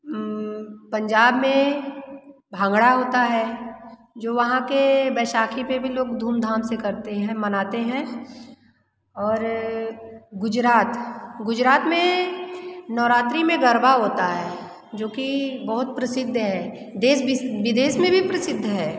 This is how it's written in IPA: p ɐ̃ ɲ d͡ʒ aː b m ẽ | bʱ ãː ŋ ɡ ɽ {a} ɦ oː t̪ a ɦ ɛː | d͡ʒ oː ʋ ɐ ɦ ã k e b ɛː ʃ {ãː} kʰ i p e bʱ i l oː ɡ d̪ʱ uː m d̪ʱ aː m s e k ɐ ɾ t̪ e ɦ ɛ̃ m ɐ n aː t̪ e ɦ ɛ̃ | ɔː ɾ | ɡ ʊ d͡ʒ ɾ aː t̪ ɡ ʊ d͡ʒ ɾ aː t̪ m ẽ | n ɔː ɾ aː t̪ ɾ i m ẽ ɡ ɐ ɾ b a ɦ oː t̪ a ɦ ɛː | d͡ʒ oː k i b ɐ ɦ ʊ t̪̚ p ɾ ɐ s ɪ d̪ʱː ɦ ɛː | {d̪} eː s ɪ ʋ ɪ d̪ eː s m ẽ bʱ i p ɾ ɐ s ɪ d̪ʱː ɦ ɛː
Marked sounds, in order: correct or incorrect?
correct, incorrect: aː, correct

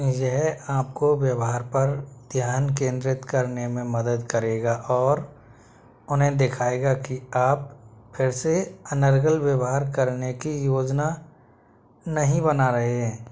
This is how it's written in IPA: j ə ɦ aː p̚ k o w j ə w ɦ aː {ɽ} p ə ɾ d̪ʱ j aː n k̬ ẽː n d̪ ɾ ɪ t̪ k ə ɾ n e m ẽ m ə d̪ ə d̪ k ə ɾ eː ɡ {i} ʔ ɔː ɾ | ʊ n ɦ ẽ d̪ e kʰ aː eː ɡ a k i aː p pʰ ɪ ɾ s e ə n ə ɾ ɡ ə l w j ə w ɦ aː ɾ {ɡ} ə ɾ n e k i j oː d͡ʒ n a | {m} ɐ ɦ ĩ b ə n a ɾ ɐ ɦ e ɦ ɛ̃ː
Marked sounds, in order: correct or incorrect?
incorrect: ɾ, incorrect: a, incorrect: k, incorrect: n

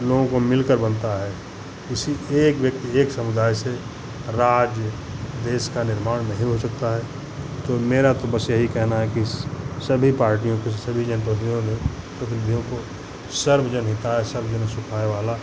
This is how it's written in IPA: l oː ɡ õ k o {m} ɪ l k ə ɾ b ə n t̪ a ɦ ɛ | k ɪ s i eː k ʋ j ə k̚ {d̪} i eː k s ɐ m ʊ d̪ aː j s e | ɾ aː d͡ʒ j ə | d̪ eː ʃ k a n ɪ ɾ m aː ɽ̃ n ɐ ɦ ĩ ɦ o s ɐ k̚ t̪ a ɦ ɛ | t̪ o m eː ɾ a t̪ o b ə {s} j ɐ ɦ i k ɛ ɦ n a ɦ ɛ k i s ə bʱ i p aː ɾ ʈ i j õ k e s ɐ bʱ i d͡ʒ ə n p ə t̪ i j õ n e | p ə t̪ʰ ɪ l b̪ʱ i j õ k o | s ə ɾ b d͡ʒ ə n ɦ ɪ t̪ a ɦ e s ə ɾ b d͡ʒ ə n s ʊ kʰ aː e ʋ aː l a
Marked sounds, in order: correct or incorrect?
correct, incorrect: t̪, correct

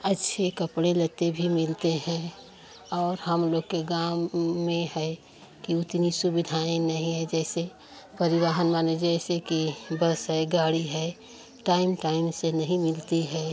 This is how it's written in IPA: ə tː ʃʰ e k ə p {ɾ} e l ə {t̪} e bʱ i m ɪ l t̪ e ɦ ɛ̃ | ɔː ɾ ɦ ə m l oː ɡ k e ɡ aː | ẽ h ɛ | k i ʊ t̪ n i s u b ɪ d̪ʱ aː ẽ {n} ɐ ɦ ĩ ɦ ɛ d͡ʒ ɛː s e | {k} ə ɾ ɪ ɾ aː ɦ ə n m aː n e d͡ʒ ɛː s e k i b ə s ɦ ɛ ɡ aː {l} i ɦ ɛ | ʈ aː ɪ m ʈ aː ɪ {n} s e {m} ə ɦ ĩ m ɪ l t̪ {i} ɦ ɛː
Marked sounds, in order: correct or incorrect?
incorrect: ɽ, correct, correct, incorrect: p, incorrect: ɽ, incorrect: m, incorrect: n, correct

